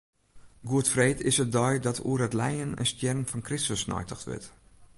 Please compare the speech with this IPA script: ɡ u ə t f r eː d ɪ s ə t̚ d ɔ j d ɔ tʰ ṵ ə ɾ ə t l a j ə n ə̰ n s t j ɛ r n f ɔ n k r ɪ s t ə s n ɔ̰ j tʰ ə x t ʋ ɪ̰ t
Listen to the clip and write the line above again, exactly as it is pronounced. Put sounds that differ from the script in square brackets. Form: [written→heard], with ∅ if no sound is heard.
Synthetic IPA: ɡ u ə t f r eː [d→t] ɪ s ə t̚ d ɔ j d ɔ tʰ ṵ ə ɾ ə t l [a→ɛ] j ə n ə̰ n s t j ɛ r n f ɔ n k r ɪ s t ə s n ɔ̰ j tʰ ə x t ʋ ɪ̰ t